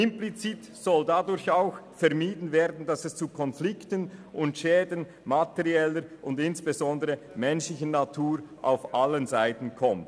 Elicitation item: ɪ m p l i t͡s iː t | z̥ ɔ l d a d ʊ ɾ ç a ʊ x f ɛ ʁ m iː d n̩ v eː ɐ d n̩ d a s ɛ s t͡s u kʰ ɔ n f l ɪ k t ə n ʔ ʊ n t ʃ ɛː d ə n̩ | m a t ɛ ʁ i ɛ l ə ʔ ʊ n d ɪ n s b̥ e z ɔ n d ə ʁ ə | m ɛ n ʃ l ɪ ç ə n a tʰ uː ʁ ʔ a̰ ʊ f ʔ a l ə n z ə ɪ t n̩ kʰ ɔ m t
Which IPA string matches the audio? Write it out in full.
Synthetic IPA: ɪ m p l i t͡s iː t | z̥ ɔ l d a d ʊ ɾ ç a ʊ x f ɛ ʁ m iː d n̩ v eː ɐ d n̩ d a s ɛ s t͡s u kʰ ɔ n f l ɪ k t ə n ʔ ʊ n t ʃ ɛː d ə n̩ | m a t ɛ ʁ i ɛ l ə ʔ ʊ n d ɪ n s b̥ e z ɔ n d ə ʁ ə | m ɛ n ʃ l ɪ ç ə n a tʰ uː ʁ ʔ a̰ ʊ f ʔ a l ə n z a ɪ t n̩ kʰ ɔ m t